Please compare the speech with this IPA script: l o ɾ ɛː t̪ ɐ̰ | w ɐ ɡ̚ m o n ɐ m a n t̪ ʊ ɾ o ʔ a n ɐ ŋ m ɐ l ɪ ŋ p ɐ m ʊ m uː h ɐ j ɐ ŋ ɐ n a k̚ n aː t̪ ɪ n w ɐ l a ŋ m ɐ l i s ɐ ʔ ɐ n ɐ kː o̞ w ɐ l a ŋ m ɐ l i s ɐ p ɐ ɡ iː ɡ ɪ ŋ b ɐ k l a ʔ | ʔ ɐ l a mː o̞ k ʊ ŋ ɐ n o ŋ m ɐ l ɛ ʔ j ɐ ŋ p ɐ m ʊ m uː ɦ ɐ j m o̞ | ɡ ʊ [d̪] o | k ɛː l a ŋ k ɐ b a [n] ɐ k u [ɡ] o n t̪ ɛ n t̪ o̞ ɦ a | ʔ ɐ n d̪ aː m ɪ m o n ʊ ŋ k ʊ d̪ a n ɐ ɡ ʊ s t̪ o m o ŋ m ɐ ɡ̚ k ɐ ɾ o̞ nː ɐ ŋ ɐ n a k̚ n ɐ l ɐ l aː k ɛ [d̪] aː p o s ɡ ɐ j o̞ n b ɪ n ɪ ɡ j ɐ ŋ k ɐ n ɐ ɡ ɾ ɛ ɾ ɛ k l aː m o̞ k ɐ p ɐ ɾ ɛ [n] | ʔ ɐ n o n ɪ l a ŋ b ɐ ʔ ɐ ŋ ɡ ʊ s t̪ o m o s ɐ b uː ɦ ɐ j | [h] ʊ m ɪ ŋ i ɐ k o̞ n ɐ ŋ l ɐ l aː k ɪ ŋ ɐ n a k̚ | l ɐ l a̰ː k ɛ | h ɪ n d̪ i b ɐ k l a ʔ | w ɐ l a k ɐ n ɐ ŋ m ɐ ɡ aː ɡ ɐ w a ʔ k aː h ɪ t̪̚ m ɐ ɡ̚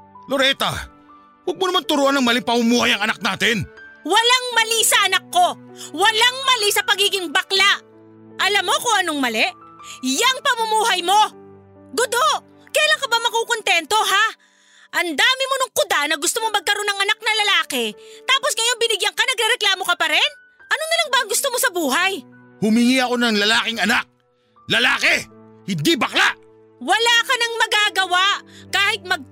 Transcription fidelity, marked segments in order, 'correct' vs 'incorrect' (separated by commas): correct, incorrect, incorrect, incorrect, correct, correct